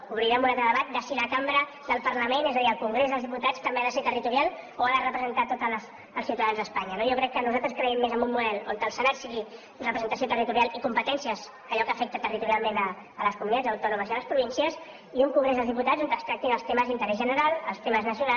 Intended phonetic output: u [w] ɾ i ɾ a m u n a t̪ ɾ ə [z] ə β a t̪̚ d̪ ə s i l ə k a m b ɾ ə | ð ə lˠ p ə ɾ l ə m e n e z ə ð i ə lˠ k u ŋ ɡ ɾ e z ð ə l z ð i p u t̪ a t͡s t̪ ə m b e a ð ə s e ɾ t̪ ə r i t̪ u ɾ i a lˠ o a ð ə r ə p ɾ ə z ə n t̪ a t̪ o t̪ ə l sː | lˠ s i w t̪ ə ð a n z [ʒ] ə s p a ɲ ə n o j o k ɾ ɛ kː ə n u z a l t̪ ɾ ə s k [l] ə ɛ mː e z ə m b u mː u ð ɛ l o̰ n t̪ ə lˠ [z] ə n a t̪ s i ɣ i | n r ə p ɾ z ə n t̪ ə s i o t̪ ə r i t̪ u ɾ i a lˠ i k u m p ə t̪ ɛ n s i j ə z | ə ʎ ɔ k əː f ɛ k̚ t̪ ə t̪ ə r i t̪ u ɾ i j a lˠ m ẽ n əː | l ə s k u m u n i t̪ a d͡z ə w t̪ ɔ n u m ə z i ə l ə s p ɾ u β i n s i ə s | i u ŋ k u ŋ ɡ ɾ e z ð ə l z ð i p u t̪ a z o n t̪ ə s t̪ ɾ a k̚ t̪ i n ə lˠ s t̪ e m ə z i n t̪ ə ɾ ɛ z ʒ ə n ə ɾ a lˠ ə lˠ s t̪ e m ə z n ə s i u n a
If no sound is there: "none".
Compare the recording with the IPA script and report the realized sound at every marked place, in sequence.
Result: β, ð, ð, ɾ, s

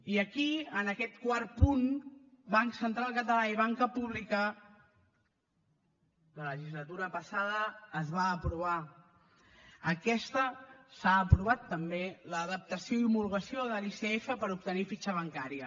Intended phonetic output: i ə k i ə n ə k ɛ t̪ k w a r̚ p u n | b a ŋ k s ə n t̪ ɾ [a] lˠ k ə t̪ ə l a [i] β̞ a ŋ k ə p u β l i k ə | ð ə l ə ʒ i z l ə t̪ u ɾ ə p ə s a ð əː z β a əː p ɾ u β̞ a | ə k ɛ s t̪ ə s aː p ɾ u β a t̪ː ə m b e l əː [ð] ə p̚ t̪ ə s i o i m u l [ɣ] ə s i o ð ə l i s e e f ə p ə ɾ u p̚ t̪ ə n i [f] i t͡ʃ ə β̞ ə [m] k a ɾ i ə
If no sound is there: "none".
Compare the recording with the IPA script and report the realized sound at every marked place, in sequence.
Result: a, i, ð, ɣ, f, ŋ

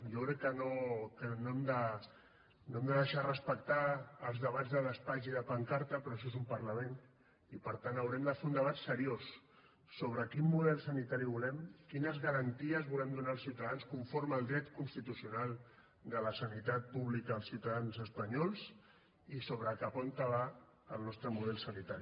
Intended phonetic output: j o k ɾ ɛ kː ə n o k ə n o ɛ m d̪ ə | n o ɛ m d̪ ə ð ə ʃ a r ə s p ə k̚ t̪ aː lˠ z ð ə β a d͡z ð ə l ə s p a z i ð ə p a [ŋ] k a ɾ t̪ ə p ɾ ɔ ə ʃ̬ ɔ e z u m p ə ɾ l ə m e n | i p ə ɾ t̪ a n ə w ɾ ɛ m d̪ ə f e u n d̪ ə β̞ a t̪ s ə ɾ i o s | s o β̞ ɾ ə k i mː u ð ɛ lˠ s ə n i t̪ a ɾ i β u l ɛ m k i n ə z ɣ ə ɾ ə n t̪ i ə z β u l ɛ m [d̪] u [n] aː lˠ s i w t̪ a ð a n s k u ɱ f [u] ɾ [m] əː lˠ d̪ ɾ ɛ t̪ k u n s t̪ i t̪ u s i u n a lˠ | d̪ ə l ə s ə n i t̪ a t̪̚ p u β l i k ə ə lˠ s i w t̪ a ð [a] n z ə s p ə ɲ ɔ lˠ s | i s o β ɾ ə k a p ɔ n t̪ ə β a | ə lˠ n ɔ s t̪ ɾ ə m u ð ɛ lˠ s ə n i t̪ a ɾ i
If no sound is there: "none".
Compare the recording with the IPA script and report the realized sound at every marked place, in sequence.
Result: ŋ, d̪, n, o, m, a

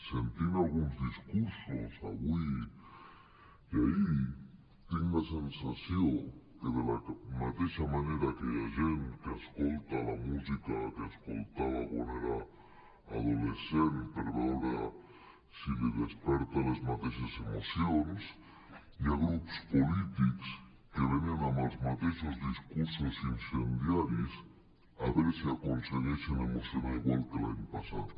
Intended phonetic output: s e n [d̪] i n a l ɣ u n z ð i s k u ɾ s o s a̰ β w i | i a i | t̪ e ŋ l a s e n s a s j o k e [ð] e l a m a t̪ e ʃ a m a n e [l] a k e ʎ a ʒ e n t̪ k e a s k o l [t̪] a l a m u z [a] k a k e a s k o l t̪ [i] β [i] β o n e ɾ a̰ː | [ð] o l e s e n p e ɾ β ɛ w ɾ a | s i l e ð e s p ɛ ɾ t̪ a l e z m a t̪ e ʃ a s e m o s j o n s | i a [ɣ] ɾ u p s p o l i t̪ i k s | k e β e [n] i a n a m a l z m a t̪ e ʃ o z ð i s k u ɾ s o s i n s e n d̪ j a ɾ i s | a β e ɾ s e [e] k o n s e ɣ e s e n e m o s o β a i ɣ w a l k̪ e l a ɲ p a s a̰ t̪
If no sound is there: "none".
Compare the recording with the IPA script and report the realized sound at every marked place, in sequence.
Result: t̪, ð, ɾ, t̪, i, a, a, ð, ɣ, n, a

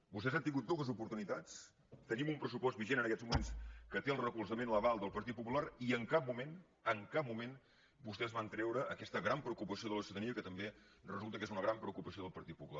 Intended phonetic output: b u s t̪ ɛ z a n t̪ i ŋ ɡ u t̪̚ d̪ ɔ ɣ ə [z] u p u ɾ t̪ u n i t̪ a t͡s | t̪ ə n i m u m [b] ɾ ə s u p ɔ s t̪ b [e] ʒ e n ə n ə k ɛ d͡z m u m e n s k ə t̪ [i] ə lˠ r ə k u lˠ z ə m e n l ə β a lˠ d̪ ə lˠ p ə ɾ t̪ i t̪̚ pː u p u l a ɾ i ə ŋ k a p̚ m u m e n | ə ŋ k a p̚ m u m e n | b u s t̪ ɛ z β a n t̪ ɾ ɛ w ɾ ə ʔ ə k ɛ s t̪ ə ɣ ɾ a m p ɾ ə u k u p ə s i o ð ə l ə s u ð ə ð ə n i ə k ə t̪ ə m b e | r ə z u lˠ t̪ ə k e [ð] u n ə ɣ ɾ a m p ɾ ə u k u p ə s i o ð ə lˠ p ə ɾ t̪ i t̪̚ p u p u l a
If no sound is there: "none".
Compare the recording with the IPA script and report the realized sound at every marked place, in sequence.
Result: z, p, i, e, z

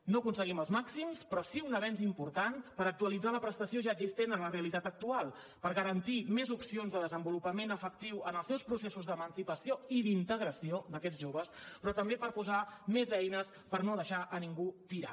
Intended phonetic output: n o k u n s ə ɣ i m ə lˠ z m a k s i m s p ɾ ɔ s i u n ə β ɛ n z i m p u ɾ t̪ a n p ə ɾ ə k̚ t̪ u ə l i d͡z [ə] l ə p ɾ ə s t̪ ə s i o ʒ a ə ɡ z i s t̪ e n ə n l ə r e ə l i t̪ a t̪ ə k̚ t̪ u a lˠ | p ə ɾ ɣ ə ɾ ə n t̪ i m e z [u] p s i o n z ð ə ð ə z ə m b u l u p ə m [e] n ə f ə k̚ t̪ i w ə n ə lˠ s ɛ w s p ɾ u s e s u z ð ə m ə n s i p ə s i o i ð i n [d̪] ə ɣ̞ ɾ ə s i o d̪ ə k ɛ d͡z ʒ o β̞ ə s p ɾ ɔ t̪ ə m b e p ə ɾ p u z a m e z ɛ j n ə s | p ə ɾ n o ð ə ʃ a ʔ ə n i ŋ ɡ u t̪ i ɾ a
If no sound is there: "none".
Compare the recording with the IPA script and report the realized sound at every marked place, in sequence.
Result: a, u, e, t̪

